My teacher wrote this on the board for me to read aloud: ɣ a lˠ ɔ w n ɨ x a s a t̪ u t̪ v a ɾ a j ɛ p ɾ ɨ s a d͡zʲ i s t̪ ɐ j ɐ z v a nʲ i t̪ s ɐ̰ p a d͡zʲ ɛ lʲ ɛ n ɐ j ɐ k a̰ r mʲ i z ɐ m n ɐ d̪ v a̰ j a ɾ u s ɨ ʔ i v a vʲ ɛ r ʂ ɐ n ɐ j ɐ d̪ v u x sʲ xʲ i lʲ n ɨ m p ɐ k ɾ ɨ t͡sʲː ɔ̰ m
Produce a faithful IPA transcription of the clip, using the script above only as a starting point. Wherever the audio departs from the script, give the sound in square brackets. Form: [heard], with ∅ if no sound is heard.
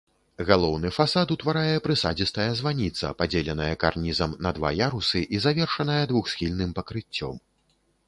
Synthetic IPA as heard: ɣ a lˠ ɔ w n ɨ [f] a s a t̪ u t̪ v a ɾ a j ɛ p ɾ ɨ s a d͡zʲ i s t̪ ɐ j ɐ z v a nʲ i t̪ s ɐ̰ p a d͡zʲ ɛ lʲ ɛ n ɐ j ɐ k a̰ r [nʲ] i z ɐ m n ɐ d̪ v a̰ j a ɾ u s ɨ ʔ i [z] a vʲ ɛ r ʂ ɐ n ɐ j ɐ d̪ v u x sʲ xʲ i lʲ n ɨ m p ɐ k ɾ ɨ t͡sʲː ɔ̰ m